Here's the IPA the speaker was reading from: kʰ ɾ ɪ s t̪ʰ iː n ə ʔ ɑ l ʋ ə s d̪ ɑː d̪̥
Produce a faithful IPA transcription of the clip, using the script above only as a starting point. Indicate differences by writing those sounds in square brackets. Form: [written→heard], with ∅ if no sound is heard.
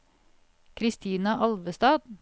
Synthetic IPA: kʰ ɾ ɪ s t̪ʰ iː n [ə→ɑ] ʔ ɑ l ʋ ə s [d̪→t̪] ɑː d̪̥